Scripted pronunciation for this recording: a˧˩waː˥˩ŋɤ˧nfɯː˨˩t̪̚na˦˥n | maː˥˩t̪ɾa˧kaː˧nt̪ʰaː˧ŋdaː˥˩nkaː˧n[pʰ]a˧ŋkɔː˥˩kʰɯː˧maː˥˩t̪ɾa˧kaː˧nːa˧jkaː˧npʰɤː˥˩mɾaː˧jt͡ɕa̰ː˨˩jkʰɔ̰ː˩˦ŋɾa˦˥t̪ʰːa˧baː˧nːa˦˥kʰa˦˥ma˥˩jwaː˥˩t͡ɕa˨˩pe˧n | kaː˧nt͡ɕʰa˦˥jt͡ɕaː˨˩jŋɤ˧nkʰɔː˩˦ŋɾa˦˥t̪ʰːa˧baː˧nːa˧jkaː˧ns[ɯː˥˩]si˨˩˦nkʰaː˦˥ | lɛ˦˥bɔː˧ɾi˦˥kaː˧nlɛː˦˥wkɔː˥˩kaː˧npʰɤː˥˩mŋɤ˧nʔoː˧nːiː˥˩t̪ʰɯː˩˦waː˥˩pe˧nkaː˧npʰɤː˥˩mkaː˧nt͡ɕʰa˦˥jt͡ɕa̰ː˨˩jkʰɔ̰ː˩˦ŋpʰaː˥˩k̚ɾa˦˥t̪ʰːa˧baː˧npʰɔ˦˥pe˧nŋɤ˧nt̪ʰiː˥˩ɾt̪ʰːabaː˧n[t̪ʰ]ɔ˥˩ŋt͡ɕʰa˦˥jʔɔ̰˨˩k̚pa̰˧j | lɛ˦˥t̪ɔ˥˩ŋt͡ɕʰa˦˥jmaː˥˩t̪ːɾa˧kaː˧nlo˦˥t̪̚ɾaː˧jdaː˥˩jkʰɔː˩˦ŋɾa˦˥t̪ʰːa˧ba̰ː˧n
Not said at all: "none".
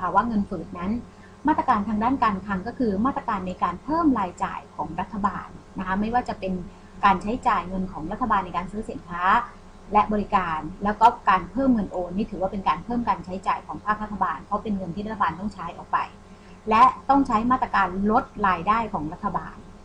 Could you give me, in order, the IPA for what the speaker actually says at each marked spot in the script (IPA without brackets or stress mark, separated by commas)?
kʰ, ɯː˦˥, t̪